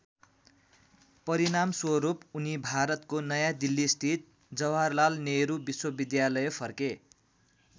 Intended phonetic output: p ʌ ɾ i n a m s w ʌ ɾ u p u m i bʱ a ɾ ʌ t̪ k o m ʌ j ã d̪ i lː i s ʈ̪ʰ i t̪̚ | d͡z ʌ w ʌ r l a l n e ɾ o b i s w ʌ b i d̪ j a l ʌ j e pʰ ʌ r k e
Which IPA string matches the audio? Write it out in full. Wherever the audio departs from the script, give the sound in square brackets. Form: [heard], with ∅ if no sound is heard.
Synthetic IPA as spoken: p ʌ ɾ i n a m s w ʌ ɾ u p u [n] i bʱ a ɾ ʌ t̪ k o [n] ʌ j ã d̪ i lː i s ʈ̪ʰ i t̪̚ | d͡z ʌ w [a] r l a l n e ɾ [u] b i s w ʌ b i d̪ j a l ʌ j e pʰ ʌ r k e